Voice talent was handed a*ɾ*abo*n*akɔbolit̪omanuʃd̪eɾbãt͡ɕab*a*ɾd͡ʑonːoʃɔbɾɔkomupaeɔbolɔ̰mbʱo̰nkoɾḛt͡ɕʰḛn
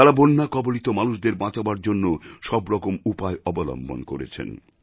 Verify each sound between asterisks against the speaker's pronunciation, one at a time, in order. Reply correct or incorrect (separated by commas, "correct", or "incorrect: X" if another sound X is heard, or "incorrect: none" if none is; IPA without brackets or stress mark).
correct, incorrect: nː, correct